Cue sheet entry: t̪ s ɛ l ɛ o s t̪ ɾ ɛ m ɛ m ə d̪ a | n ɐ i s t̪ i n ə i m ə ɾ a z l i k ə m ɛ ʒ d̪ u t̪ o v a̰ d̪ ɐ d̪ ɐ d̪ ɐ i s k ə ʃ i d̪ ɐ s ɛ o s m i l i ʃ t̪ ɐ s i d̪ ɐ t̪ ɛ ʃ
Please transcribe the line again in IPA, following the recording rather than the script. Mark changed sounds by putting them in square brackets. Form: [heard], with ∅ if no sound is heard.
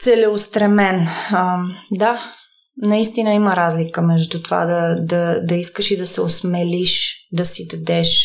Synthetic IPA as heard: t̪ s ɛ l ɛ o s t̪ ɾ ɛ m ɛ [n] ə d̪ a | n ɐ i s t̪ i n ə i m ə ɾ a z l i k ə m ɛ ʒ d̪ u t̪ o v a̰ d̪ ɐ d̪ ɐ d̪ ɐ i s k ə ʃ i d̪ ɐ s ɛ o s m [ɛ] l i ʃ [d̪] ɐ s i d̪ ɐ [d̪] ɛ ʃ